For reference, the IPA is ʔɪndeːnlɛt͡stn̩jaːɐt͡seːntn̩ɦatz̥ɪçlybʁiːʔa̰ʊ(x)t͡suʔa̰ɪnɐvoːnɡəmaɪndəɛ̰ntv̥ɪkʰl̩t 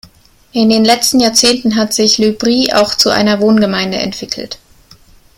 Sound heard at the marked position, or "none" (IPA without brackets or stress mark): x